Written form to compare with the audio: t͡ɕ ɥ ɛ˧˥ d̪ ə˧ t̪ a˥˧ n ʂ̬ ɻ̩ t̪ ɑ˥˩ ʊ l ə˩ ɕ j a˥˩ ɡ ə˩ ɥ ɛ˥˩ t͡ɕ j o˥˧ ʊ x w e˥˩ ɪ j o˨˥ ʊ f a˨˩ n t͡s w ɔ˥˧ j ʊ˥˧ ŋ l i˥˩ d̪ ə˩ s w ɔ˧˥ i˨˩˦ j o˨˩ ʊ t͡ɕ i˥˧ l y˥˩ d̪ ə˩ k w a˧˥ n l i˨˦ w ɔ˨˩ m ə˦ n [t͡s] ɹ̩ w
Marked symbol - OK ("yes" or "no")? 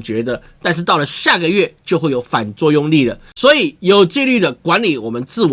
yes